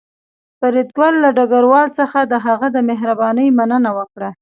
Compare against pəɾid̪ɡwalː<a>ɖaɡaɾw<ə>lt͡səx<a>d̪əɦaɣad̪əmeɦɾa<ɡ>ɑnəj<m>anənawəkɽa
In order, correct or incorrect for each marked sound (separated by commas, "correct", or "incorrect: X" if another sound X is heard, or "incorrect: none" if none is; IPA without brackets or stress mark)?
correct, incorrect: ɑ, correct, incorrect: b, correct